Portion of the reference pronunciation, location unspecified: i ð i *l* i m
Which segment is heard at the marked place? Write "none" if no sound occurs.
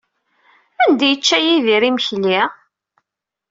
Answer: ɾ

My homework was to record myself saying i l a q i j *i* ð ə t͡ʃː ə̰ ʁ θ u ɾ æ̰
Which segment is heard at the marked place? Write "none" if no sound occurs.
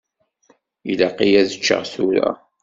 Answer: æ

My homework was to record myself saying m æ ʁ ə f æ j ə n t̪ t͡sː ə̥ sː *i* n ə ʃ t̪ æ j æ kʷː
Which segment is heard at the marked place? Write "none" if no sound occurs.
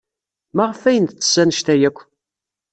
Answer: æ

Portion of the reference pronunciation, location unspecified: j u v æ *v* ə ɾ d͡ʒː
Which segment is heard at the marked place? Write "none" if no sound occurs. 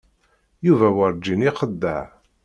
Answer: w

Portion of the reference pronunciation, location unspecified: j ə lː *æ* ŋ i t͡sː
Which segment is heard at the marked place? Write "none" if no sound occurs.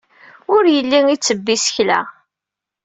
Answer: i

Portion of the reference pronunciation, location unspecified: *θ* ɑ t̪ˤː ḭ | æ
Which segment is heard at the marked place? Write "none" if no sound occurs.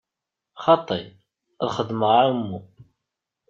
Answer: χ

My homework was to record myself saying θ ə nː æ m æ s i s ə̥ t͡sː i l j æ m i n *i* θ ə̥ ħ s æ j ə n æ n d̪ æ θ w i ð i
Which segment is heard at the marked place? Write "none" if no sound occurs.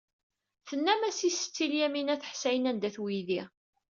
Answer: æ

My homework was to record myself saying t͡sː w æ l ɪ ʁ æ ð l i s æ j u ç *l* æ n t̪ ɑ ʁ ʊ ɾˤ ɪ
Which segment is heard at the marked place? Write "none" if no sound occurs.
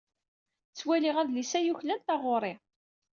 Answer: l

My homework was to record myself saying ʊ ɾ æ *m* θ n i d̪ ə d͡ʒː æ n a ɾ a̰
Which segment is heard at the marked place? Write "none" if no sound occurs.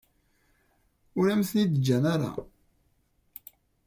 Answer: m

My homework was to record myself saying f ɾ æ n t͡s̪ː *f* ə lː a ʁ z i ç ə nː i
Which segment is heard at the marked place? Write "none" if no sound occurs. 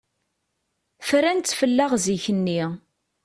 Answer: f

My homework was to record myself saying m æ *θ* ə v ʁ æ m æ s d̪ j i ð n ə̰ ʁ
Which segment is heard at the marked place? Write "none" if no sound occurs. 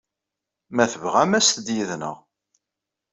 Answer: θ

